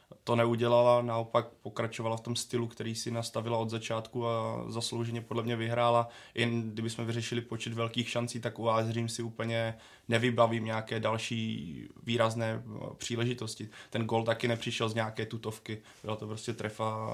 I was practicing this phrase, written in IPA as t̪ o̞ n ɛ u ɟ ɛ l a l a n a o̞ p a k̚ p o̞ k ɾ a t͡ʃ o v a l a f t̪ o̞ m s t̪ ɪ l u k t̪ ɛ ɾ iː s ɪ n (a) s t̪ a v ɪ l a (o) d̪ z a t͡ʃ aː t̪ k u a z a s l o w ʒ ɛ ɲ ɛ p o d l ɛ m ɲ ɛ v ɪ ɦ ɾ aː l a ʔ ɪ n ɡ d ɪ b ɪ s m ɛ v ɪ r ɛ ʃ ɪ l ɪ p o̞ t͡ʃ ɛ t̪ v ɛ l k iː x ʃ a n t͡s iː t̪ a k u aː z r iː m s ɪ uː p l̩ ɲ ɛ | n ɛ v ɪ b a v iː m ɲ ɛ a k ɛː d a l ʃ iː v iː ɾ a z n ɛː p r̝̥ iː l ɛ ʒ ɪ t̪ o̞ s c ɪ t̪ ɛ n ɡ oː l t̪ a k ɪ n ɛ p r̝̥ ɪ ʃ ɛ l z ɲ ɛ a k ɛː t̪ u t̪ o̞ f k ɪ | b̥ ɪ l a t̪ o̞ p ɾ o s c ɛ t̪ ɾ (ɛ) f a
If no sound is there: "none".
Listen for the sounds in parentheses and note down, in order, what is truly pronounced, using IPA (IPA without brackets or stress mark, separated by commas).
a, o, ɛ